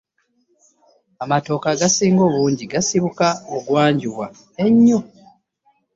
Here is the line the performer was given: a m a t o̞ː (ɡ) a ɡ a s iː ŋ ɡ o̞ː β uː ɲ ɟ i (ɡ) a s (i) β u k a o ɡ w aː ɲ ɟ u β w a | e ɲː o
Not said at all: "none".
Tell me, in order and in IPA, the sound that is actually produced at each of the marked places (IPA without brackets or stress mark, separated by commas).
k, ɡ, i